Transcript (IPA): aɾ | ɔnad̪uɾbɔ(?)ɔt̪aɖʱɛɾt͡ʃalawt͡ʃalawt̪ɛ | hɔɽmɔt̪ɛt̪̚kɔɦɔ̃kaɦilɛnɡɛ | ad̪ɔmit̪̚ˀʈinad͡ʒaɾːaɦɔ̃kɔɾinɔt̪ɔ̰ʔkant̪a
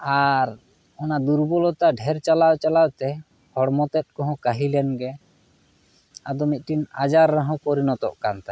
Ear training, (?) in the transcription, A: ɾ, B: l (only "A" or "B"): B